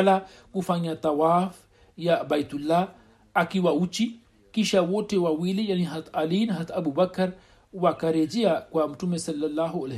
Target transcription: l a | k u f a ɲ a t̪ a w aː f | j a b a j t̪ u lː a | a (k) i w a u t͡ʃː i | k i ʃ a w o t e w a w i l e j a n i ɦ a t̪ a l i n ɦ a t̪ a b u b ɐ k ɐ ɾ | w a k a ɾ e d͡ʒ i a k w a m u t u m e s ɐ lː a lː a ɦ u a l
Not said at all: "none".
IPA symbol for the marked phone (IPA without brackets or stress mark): k